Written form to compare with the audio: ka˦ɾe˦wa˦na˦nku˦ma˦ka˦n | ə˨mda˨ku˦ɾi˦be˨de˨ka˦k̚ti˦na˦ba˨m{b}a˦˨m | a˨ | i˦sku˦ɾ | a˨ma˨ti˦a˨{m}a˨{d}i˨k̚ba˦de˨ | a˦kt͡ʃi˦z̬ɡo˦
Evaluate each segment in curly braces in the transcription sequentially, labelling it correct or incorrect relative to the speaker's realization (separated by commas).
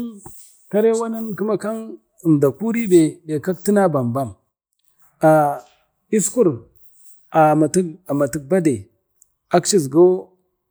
correct, correct, incorrect